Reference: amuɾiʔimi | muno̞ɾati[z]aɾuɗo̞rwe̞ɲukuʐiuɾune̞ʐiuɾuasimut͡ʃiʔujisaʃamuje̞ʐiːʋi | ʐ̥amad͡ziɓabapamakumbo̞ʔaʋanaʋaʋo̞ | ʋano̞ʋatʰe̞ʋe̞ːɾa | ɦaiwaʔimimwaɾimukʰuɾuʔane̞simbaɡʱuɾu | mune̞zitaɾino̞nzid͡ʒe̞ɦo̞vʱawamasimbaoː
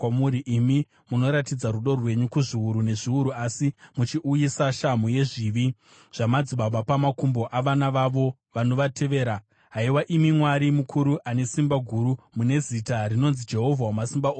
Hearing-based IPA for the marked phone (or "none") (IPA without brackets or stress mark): d͡z